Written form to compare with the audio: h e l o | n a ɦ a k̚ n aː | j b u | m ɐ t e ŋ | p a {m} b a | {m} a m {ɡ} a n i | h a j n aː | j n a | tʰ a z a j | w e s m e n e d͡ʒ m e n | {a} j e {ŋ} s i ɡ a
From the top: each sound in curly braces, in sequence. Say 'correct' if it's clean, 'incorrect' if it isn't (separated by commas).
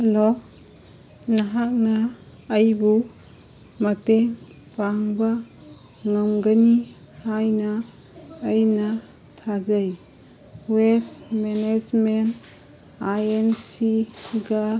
incorrect, incorrect, correct, correct, incorrect